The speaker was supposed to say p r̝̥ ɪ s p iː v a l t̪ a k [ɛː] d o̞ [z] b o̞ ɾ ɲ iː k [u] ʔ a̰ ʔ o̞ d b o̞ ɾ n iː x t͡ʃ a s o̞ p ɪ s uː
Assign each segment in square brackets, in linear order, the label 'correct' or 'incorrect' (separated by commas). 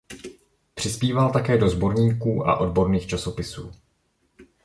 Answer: correct, correct, incorrect